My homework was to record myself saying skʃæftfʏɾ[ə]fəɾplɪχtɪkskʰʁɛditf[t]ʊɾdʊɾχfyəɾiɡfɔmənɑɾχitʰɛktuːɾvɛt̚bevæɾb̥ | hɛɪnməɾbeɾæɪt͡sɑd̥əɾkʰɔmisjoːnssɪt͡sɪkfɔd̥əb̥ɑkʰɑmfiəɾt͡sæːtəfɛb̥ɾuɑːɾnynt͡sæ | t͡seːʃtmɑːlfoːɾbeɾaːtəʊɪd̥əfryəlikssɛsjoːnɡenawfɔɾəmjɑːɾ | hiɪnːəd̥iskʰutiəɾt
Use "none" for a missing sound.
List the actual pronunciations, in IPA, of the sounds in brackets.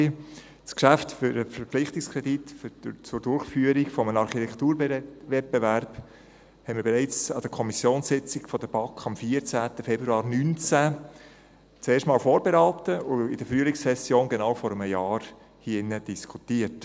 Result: ə, t͡s

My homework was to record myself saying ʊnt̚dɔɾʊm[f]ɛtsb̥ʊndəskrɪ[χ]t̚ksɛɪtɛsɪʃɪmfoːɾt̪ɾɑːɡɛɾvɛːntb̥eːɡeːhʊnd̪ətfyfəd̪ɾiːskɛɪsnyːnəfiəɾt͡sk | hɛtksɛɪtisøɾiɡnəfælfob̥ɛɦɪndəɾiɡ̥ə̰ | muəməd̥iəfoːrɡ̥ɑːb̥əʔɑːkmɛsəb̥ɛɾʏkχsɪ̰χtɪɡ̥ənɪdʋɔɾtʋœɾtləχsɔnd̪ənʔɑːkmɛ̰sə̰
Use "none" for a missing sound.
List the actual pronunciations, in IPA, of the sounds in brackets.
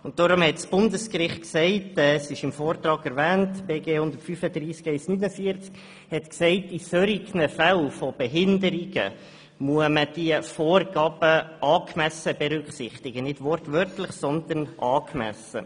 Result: h, χ

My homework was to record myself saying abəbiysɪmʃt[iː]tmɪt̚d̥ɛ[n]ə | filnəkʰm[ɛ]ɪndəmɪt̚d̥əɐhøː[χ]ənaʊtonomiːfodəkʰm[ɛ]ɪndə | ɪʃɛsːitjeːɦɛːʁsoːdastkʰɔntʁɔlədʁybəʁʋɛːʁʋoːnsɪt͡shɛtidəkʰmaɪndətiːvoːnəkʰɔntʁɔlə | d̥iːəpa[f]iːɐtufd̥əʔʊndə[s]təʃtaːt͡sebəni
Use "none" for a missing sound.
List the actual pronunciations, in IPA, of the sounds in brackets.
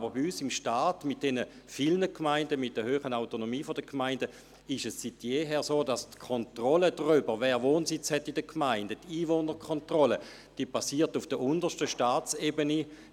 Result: aː, n, a, χ, a, s, ʃ

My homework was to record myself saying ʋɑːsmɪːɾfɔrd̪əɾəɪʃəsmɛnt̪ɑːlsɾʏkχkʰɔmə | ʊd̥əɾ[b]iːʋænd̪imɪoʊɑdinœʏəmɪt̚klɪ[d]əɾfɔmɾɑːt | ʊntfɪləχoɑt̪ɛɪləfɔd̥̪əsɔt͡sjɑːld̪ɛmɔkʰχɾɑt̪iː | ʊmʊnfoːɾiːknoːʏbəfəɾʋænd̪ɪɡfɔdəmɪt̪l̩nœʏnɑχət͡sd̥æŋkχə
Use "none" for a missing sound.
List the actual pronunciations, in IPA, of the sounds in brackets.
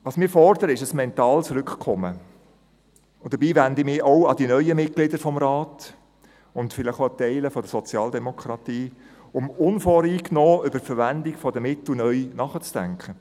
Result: b, d

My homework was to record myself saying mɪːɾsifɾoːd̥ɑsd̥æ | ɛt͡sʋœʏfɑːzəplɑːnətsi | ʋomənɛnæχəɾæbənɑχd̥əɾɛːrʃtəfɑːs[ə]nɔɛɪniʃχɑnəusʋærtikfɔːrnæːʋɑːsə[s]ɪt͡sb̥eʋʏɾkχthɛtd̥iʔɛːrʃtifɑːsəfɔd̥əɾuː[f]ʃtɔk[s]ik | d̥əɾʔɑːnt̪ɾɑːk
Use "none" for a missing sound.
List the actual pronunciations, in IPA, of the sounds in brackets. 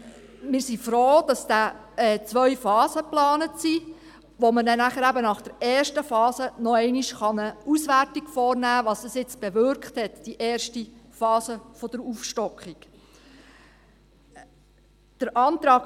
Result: ə, s, f, χ

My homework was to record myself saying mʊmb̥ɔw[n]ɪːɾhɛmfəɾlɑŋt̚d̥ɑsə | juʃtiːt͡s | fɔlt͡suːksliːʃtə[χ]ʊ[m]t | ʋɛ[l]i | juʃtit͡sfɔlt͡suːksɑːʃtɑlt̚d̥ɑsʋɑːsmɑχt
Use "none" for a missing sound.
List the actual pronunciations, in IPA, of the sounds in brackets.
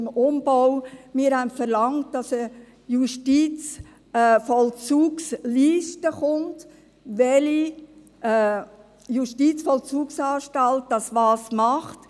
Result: m, χ, n, l

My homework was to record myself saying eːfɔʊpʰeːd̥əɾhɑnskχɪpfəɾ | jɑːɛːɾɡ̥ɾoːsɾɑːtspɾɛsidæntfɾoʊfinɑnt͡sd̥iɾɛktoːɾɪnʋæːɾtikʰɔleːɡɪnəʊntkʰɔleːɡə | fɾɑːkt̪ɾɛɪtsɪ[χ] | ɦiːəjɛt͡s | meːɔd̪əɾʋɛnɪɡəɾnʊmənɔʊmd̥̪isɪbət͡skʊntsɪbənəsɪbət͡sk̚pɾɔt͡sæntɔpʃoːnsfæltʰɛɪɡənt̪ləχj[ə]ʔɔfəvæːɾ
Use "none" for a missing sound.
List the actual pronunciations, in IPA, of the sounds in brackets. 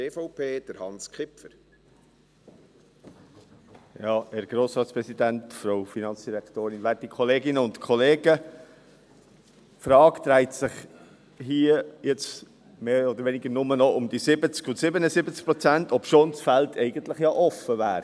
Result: χ, ɑ

